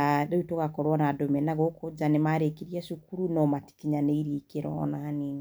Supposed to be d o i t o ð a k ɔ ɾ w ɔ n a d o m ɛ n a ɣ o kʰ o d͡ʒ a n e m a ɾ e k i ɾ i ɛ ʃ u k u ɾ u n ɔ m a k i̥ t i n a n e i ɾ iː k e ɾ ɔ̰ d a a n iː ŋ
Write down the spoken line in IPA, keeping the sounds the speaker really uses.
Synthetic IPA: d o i t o ɣ a k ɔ ɾ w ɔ n a d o m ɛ n a ɣ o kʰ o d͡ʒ a n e m a ɾ e k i ɾ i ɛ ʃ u k u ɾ u n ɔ m a t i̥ k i ɲ a n e i ɾ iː k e ɾ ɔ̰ n a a n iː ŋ

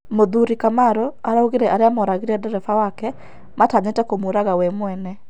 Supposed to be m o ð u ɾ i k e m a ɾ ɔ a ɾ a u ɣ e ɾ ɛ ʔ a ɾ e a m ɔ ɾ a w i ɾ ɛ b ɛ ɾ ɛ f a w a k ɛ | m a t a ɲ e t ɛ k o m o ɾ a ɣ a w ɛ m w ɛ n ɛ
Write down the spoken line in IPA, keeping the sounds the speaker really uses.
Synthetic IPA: m o ð u ɾ i k a m a ɾ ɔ a ɾ a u ɣ e ɾ ɛ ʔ a ɾ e a m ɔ ɾ a ɣ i ɾ ɛ d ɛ ɾ ɛ f a w a k ɛ | m a t a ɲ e t ɛ k o m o ɾ a ɣ a w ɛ m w ɛ n ɛ

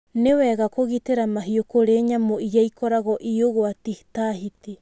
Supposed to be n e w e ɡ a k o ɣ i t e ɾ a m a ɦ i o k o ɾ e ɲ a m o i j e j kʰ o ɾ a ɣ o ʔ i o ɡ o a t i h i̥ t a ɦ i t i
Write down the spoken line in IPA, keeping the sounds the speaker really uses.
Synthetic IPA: n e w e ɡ a k o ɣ i t e ɾ a m a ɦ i o k o ɾ e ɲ a m o i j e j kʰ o ɾ a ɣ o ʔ i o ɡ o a t i h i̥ t a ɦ i t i

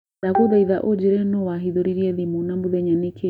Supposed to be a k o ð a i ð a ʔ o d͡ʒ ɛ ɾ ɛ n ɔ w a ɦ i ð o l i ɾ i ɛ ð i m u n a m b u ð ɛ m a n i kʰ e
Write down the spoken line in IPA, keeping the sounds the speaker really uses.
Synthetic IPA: a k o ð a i ð a ʔ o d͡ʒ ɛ ɾ ɛ n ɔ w a ɦ i ð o ɾ i ɾ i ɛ ð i m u n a m b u ð ɛ ɲ a n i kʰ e

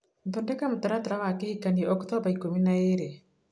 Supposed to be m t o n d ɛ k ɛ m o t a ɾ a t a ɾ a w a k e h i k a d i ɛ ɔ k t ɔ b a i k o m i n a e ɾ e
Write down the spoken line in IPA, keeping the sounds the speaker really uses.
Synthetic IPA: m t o n d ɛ k a m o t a ɾ a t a ɾ a w a k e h i k a n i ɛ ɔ k t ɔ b a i k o m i n a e ɾ e

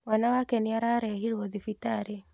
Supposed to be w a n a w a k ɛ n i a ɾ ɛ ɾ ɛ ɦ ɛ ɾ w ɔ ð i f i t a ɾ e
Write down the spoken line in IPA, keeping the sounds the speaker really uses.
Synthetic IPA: w a n a w a k ɛ n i a ɾ a ɾ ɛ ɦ i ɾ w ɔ ð i f i t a ɾ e

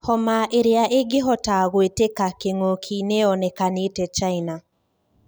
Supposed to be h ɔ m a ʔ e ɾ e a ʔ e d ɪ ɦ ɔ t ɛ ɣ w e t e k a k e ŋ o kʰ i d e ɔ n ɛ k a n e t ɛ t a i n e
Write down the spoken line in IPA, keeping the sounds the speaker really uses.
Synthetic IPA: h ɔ m a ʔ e ɾ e a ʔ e ɡ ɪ ɦ ɔ t a ɣ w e t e k a k e ŋ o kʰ i n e ɔ n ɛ k a n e t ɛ t͡ʃ a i n a

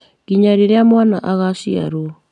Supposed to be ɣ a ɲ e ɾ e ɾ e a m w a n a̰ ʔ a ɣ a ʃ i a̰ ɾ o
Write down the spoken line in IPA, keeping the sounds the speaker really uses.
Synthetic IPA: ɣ i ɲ a ɾ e ɾ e a m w a n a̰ ʔ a ɣ a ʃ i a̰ ɾ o

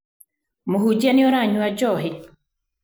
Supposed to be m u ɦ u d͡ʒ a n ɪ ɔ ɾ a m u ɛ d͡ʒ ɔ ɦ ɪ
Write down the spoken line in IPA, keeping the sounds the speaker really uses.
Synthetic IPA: m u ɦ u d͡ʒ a n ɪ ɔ ɾ a ɲ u a d͡ʒ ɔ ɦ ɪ

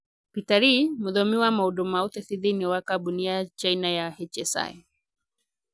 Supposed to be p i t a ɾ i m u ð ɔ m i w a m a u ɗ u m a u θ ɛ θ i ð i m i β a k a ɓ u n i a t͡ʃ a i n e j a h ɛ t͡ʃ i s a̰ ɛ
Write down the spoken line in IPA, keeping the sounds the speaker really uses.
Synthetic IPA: p i t a ɾ i m u ð ɔ m i w a m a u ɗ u m a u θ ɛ θ i ð i n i w a k a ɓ u n i a t͡ʃ a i n a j a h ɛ t͡ʃ ɛ s a̰ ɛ

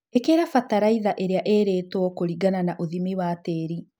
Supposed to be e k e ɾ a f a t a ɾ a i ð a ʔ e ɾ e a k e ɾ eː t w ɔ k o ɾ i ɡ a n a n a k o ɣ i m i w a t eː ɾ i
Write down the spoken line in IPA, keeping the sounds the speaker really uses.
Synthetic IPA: e k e ɾ a f a t a ɾ a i ð a ʔ e ɾ e a ʔ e ɾ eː t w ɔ k o ɾ i ɡ a n a n a ʔ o ð i m i w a t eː ɾ i

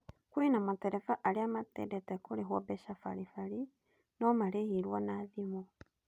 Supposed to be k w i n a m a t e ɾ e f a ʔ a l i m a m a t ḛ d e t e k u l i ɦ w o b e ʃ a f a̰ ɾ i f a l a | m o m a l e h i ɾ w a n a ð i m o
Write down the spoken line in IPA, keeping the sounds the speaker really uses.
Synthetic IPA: k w i n a m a t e ɾ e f a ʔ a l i a m a t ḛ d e t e k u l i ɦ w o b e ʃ a f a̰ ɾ i f a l i | n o m a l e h i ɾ w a n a ð i m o

